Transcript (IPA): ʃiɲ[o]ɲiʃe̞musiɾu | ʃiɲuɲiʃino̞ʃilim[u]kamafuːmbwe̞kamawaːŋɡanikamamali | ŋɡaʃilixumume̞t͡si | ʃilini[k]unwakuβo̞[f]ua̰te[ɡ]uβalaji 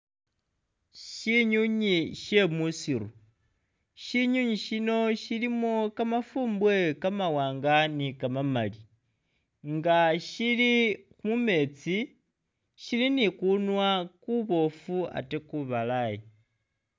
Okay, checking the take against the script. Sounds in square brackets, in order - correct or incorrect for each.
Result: incorrect, incorrect, correct, correct, incorrect

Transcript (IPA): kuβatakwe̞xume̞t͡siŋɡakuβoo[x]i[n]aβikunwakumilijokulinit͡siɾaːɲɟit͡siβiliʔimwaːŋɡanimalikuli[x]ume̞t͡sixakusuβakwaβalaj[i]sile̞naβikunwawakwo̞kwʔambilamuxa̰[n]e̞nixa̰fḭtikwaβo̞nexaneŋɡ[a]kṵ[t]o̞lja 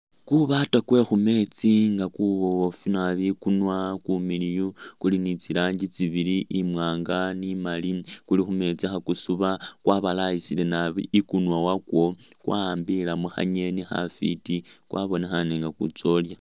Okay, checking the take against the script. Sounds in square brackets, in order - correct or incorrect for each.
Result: incorrect, correct, correct, correct, incorrect, correct, incorrect

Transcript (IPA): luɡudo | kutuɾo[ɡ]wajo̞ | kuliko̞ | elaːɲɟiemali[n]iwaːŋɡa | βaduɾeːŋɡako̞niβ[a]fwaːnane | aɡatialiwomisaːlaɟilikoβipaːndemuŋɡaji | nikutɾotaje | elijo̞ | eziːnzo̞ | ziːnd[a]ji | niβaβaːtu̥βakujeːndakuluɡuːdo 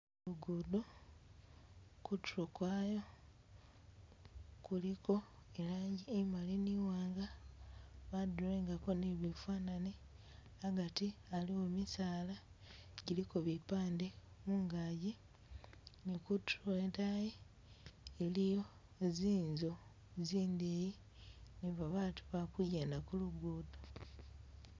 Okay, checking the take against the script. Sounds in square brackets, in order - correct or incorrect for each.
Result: incorrect, correct, incorrect, incorrect

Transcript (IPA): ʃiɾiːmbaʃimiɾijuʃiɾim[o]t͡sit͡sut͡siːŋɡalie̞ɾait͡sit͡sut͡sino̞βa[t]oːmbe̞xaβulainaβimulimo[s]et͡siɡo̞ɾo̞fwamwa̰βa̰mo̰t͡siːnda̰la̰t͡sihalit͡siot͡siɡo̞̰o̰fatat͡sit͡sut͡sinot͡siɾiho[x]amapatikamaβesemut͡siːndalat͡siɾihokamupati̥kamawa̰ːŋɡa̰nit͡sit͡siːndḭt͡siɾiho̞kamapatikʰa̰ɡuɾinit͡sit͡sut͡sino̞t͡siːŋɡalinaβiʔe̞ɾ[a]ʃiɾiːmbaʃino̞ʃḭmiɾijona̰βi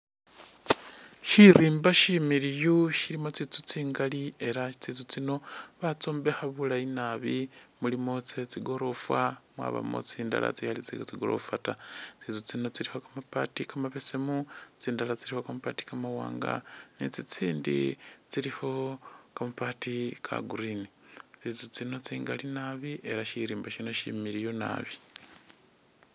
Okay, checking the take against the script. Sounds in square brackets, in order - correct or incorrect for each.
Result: correct, incorrect, incorrect, incorrect, correct

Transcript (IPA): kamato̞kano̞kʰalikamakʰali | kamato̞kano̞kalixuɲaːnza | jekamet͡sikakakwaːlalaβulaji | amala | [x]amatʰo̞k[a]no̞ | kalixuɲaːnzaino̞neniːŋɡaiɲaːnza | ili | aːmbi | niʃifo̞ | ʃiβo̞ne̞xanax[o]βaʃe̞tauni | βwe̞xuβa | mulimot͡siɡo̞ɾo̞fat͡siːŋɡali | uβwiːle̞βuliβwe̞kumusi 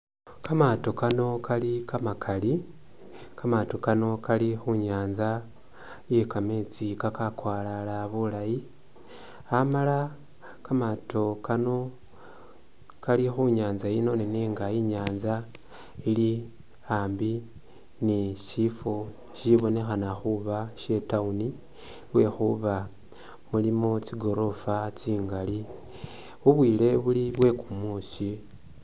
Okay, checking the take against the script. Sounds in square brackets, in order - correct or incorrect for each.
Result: incorrect, correct, incorrect

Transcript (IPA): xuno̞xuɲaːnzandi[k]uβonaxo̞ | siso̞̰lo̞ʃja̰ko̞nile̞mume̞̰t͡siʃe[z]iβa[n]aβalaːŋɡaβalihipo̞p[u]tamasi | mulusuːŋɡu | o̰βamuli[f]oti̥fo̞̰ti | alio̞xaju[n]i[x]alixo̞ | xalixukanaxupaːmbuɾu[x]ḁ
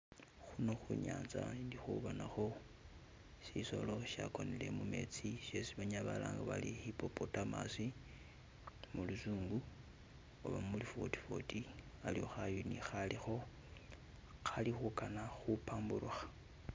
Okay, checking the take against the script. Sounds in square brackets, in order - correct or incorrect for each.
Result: incorrect, incorrect, incorrect, incorrect, correct, correct, correct, correct

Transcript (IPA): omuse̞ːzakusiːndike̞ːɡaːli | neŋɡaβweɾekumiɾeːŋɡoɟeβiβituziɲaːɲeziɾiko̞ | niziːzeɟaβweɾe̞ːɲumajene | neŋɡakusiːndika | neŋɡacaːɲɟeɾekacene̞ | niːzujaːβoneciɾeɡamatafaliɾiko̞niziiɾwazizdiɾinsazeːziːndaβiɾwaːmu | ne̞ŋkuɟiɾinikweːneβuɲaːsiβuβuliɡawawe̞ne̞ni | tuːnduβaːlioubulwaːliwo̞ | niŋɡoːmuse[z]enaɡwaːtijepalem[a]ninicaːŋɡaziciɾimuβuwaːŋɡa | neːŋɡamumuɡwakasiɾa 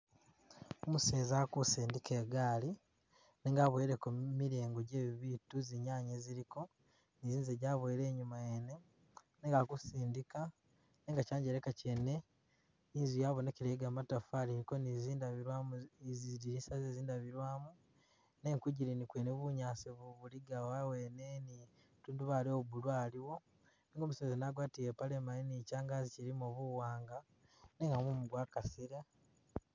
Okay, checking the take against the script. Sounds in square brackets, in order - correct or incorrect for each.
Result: correct, correct

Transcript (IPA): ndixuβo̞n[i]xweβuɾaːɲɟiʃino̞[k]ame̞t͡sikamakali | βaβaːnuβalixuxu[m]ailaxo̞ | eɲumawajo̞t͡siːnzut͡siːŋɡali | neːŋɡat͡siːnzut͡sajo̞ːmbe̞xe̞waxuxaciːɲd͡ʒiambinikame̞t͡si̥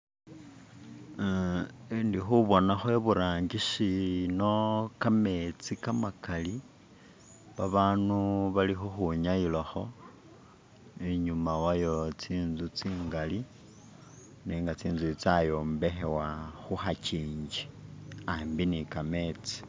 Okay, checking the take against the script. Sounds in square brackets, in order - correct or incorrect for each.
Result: incorrect, correct, incorrect

